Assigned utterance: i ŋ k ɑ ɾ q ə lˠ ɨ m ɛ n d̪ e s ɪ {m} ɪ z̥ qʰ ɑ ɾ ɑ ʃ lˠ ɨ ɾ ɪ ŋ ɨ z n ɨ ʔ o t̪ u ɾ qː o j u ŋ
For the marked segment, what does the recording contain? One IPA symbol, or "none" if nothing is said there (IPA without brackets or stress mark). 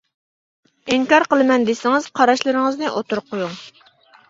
ŋ